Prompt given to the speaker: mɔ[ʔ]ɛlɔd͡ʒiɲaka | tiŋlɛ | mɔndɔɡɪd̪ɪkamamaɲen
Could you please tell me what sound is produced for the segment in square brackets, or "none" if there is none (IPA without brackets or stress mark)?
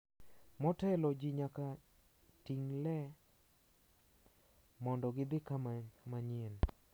t